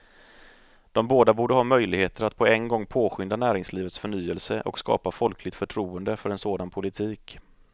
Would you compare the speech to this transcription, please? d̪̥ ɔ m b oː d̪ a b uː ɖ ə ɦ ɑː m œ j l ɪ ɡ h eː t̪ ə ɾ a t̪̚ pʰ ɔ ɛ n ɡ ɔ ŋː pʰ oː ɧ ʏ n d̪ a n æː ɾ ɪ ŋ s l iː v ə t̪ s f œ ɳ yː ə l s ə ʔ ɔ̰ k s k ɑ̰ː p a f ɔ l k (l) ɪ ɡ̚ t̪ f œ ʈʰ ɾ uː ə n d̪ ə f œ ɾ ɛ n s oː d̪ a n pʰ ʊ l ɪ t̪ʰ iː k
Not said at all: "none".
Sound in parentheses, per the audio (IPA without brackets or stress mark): l